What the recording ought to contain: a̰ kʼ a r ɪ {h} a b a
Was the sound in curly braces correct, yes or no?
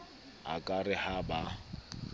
yes